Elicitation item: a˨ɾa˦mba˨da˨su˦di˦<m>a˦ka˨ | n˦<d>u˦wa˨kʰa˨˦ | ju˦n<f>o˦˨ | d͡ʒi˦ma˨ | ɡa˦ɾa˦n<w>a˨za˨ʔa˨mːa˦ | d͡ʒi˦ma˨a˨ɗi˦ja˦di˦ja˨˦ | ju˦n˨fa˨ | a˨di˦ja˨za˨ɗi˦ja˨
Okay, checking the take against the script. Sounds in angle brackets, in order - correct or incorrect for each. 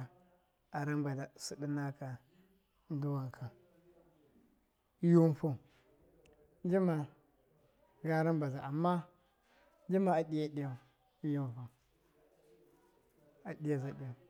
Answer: incorrect: n, correct, correct, incorrect: b

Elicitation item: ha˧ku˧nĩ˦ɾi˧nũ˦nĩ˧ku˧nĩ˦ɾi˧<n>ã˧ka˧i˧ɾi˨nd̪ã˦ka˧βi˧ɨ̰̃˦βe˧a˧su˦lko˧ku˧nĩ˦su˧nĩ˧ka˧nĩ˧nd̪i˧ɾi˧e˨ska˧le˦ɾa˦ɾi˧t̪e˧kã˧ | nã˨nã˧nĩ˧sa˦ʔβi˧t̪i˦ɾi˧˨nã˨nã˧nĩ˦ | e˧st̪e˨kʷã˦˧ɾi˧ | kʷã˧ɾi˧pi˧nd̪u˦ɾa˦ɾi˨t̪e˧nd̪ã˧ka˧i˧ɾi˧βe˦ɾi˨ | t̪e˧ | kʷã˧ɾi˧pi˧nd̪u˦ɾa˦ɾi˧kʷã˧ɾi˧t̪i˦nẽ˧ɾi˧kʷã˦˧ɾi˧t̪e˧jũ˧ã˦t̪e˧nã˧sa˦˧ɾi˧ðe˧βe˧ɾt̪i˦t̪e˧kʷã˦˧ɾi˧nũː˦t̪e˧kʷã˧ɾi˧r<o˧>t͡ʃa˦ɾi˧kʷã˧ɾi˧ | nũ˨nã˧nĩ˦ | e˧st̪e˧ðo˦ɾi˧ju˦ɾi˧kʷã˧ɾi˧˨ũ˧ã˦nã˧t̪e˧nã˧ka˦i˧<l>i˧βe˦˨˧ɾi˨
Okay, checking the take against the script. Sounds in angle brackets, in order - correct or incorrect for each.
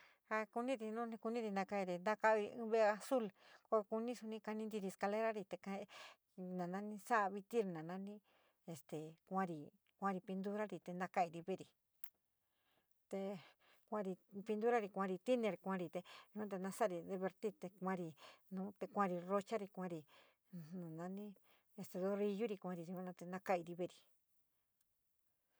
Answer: correct, correct, incorrect: ɾ

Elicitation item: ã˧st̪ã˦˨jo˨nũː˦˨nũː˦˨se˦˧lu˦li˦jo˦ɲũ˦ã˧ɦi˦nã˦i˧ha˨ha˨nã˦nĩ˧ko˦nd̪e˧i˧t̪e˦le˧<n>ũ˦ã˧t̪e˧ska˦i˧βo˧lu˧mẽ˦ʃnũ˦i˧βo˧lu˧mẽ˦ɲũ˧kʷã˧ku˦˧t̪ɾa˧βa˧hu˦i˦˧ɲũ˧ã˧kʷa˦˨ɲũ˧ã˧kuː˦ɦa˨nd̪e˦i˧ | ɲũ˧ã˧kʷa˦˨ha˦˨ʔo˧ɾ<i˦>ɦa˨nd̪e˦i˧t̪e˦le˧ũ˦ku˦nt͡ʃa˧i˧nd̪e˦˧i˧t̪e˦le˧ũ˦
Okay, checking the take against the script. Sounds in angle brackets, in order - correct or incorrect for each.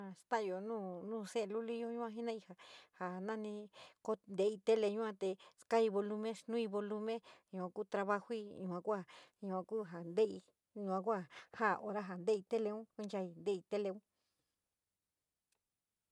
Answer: incorrect: ɲ, incorrect: a˦

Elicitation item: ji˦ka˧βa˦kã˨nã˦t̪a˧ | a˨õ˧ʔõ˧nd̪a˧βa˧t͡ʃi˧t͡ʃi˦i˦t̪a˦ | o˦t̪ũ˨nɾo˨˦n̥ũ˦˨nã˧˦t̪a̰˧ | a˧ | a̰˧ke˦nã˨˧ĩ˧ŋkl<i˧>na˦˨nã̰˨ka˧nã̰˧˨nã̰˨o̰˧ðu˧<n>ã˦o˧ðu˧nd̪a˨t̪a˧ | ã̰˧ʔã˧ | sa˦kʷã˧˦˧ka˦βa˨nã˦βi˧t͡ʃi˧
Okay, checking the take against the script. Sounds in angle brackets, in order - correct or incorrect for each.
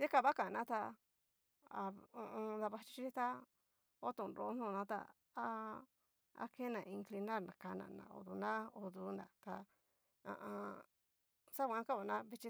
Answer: correct, correct

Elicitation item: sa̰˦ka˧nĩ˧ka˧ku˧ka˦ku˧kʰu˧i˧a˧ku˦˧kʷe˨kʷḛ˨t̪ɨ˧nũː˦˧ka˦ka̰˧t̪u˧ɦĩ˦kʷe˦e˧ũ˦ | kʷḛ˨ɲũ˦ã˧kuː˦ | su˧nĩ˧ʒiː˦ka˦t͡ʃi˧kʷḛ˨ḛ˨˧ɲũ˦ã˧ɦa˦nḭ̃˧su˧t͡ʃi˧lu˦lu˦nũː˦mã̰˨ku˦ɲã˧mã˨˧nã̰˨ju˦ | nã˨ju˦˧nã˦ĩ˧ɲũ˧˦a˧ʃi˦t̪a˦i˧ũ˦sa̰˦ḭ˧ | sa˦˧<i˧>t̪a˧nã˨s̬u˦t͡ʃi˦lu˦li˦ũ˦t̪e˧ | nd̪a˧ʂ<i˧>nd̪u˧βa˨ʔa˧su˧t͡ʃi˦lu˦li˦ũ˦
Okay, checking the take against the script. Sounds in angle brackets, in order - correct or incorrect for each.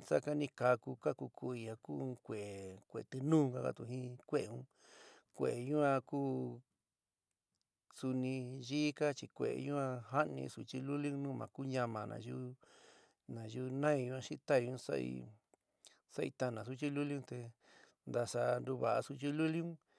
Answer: correct, incorrect: a˧

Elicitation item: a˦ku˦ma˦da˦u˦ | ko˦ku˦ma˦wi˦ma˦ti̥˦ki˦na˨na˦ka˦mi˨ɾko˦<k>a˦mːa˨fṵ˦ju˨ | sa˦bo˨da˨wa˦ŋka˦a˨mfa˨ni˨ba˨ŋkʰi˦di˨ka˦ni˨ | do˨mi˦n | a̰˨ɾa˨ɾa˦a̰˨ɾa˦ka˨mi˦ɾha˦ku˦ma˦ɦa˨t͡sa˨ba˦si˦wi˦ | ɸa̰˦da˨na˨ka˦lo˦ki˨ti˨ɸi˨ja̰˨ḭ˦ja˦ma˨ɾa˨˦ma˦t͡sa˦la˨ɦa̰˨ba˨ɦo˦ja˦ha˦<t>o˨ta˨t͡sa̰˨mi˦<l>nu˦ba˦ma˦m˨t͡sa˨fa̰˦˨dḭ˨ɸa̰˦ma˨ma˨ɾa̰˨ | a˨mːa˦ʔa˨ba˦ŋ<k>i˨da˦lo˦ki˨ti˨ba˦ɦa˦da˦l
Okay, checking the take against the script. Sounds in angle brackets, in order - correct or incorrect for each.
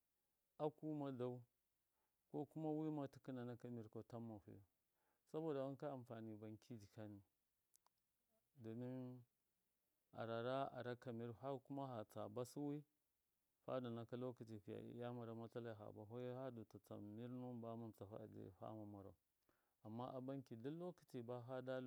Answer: incorrect: t, incorrect: d, incorrect: ɾ, correct

